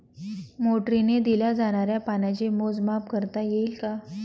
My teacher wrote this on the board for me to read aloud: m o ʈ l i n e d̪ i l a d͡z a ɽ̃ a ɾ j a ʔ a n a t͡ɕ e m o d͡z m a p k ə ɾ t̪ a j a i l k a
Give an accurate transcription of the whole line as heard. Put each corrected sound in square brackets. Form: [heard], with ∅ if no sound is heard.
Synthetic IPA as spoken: m o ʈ [ɾ] i n e d̪ i l a d͡z a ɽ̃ a ɾ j a [p] a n a t͡ɕ e m o d͡z m a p k ə ɾ t̪ a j [e] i l k a